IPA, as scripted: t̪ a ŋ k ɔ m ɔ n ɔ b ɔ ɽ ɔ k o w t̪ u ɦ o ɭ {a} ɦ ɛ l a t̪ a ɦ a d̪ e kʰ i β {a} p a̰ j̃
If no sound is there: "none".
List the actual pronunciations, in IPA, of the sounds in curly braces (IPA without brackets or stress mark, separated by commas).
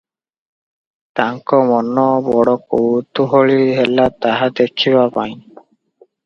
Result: i, a